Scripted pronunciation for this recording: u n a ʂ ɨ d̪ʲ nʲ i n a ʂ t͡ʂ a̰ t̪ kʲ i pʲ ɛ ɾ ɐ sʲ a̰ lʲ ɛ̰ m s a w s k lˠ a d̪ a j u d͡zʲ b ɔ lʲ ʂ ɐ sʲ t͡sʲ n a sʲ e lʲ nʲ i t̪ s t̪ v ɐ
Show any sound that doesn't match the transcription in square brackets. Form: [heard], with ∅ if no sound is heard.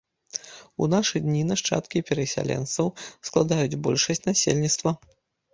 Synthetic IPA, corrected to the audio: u n a ʂ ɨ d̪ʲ nʲ i n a ʂ t͡ʂ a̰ t̪ kʲ i pʲ ɛ ɾ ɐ sʲ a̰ lʲ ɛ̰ [n] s [ɐ] w s k lˠ a d̪ a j u d͡zʲ b ɔ lʲ ʂ ɐ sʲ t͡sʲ n a sʲ e lʲ nʲ i t̪ s t̪ v ɐ